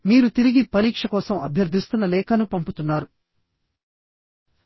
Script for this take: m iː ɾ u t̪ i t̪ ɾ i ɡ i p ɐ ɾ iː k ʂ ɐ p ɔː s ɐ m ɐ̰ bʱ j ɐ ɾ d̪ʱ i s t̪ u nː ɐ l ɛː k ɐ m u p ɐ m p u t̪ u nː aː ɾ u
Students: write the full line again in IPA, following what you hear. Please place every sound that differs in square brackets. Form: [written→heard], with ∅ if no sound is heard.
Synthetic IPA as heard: m iː ɾ u t̪ i [t̪→∅] ɾ i ɡ i p ɐ ɾ iː k ʂ ɐ [p→k] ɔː s ɐ m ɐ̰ bʱ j ɐ ɾ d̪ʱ i s t̪ u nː ɐ l ɛː k ɐ [m→n] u p ɐ m p u t̪ u nː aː ɾ u

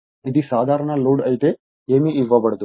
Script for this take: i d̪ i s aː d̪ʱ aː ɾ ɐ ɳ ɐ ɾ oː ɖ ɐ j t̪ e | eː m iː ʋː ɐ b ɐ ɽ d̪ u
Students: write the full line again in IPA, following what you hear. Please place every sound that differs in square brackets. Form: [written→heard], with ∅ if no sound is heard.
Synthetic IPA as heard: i d̪ i s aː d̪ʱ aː ɾ ɐ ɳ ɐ [ɾ→l] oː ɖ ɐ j t̪ e | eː m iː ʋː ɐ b ɐ ɽ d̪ u

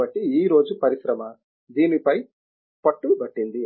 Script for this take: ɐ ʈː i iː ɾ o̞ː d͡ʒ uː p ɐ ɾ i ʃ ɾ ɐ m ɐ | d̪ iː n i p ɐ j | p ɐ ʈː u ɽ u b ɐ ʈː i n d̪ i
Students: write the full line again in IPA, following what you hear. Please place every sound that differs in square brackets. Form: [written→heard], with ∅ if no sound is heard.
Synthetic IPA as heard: ɐ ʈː i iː ɾ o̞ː d͡ʒ [uː→u] p ɐ ɾ i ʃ ɾ ɐ m ɐ | d̪ iː n i p ɐ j | p ɐ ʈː u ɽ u b ɐ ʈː i n d̪ i

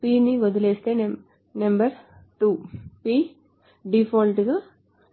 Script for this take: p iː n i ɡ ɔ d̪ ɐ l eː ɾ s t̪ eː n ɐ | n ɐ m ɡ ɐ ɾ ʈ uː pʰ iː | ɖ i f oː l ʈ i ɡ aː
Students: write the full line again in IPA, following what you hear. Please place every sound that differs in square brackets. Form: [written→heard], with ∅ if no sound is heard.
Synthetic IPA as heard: p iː n i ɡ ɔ d̪ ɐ l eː [ɾ→∅] s t̪ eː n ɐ | n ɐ m [ɡ→b] ɐ ɾ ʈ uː [pʰ→p] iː | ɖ i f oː l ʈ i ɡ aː

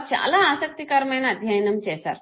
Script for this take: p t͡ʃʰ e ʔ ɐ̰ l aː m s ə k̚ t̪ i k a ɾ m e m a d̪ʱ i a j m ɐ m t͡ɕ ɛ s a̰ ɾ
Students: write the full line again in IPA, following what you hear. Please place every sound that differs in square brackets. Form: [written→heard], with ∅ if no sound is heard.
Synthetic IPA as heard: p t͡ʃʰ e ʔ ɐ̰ l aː [m→∅] s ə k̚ t̪ i k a ɾ m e [m→n] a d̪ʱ [i→j] a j [m→n] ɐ m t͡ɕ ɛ s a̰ ɾ

